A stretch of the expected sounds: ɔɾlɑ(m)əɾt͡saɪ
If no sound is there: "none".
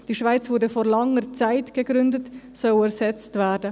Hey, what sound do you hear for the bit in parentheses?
ŋ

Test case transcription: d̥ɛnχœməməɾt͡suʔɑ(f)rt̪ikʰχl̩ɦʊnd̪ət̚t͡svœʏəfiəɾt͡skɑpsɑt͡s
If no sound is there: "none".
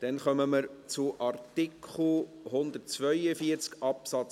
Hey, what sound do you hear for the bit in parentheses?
none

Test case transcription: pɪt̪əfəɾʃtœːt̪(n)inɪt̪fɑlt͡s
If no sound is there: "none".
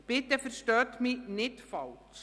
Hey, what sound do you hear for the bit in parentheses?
m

